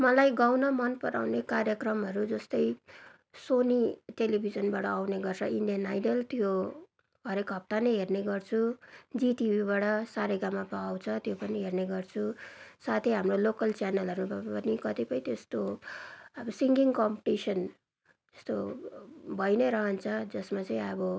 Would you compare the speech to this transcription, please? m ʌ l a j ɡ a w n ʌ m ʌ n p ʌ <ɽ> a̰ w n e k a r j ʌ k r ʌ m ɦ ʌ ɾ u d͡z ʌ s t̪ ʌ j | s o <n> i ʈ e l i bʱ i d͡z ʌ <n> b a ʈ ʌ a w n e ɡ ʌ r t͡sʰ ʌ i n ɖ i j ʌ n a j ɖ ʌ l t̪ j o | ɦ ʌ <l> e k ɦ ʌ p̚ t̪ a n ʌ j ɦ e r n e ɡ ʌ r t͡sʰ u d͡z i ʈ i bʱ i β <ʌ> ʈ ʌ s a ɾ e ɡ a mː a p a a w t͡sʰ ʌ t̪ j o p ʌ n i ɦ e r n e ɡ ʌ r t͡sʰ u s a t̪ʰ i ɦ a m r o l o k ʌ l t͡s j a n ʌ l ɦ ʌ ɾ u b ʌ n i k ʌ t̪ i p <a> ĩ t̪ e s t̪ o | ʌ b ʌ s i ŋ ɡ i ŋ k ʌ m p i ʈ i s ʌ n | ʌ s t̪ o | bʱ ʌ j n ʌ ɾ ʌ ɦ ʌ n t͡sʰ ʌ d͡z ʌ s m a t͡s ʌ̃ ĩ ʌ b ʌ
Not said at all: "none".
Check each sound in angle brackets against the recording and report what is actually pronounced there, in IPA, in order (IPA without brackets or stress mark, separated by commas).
ɾ, n, n, ɾ, a, ʌ